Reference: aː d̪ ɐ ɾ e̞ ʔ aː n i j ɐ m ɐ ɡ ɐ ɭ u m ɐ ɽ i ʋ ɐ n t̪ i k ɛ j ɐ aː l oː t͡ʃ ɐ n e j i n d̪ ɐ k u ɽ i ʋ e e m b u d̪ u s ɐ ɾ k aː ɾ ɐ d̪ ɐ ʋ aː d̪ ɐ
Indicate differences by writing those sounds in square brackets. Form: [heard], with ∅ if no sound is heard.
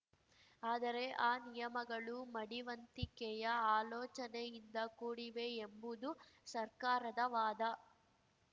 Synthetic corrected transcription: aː d̪ ɐ ɾ e̞ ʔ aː n i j ɐ m ɐ ɡ ɐ ɭ u m ɐ ɽ i ʋ ɐ n t̪ i k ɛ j ɐ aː l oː t͡ʃ ɐ n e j i n d̪ ɐ k [uː] ɽ i ʋ e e m b u d̪ u s ɐ ɾ k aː ɾ ɐ d̪ ɐ ʋ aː d̪ ɐ